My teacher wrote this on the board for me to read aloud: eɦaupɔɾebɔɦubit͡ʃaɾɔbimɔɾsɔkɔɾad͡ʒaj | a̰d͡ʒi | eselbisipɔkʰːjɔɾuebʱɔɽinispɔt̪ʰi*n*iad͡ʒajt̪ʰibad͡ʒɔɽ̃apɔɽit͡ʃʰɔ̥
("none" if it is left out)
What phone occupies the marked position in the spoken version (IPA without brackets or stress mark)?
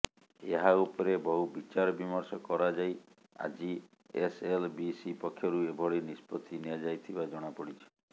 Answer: n